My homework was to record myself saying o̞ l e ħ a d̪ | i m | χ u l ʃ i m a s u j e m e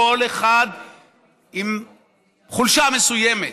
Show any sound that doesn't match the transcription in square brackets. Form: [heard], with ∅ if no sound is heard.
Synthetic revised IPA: o̞ l e [χ] a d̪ | i m | χ u l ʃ [a] m [e] s u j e m e

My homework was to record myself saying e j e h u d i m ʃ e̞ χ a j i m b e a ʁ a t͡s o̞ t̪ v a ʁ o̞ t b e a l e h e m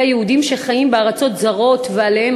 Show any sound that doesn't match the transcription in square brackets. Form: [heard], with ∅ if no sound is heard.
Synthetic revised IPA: [a] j e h u d i m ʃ e̞ χ a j i m b e a ʁ a t͡s o̞ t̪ [z] a ʁ o̞ t [v] e a l e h e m

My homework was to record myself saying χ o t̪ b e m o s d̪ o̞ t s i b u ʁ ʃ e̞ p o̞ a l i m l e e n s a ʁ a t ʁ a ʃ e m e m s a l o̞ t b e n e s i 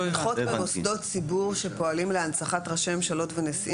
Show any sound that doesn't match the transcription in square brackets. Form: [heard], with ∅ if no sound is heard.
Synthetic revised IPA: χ o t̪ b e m o s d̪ o̞ t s i b u ʁ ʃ e̞ p o̞ a l i m l e [a] n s a [χ] a t ʁ a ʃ e m e m [ʃ] a l o̞ t [v] e n e s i

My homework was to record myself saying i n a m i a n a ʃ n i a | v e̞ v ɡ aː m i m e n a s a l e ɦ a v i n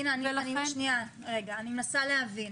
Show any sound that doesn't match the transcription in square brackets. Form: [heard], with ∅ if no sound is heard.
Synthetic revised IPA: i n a [n] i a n [i] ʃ n i a | [ʁ] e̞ [∅] ɡ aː [n] i m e n a s a l e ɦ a v i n

